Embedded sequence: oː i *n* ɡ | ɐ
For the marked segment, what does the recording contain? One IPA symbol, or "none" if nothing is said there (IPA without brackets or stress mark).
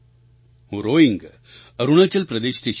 ŋ